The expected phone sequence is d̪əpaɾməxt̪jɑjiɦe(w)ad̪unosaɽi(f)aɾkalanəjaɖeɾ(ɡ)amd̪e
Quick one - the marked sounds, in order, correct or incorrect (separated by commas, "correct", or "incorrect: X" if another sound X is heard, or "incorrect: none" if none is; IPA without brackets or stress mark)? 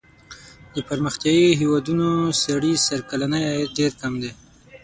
correct, incorrect: s, incorrect: k